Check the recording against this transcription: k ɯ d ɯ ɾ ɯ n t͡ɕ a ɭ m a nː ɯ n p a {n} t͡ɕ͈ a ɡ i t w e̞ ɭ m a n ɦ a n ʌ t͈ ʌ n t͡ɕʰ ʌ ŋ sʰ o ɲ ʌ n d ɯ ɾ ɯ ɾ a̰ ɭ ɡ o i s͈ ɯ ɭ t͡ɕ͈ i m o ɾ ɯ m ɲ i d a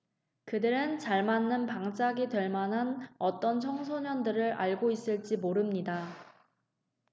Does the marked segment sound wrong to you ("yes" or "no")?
yes